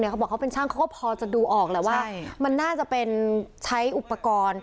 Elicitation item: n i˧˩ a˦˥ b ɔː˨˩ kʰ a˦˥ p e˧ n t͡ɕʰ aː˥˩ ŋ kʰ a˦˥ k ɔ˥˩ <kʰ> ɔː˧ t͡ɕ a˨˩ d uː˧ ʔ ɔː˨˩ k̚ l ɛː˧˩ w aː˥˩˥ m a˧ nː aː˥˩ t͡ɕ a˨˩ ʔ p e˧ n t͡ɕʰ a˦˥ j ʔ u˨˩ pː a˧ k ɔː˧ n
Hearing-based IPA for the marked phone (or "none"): pʰ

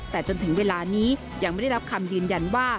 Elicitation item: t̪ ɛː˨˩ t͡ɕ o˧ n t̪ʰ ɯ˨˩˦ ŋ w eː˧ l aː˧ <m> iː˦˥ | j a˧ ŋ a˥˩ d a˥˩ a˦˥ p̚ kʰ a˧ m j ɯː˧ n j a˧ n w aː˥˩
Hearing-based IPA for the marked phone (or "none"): n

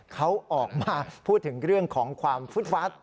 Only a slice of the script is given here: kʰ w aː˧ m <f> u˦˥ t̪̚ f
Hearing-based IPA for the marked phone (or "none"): f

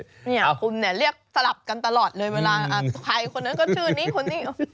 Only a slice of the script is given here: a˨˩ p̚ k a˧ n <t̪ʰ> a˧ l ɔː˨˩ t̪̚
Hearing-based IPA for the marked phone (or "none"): t̪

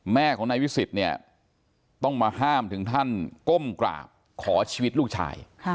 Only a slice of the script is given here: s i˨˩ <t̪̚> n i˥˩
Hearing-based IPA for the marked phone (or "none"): t̪̚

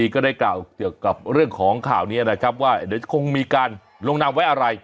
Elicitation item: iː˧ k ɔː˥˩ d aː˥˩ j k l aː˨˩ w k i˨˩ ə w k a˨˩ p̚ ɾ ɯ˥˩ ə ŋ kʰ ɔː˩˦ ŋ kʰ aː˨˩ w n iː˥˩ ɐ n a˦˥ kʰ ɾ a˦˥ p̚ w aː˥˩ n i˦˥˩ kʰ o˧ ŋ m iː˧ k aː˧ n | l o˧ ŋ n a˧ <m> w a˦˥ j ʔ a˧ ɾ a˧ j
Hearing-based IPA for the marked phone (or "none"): m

